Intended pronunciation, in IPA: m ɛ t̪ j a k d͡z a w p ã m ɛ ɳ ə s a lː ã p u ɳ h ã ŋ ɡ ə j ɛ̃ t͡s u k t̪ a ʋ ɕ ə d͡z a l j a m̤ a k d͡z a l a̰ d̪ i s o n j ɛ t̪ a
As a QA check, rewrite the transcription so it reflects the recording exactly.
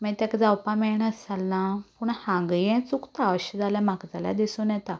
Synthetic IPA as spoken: m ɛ t̪ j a k d͡z a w p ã m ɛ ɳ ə s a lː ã p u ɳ h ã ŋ ɡ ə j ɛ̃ t͡s u k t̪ a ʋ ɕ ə d͡z a l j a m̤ a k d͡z a l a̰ d̪ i s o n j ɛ t̪ a